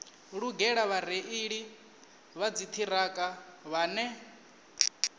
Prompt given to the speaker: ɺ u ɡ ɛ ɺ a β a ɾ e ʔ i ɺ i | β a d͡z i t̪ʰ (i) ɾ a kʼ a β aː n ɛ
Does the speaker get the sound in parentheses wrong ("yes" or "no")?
no